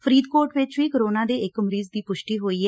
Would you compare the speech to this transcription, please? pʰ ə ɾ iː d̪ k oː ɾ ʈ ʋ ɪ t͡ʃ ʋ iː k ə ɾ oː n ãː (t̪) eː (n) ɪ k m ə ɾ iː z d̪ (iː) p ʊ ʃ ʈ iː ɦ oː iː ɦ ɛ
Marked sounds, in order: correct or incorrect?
incorrect: d̪, incorrect: none, correct

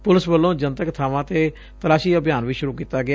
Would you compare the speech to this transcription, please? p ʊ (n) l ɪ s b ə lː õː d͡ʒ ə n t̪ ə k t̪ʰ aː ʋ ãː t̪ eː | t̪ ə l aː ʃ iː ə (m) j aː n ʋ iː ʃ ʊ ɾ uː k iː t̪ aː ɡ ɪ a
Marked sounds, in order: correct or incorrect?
incorrect: none, incorrect: b

